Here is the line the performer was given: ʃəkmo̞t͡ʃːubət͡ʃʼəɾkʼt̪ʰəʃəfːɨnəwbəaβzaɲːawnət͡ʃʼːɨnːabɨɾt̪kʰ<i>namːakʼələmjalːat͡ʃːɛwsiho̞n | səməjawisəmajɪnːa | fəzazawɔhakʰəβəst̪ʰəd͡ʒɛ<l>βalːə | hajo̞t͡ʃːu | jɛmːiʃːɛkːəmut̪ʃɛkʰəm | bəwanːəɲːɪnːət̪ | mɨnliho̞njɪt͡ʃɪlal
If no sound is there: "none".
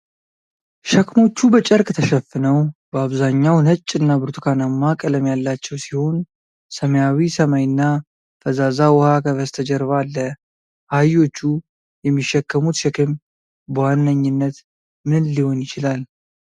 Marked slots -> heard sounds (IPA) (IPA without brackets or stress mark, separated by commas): a, ɾ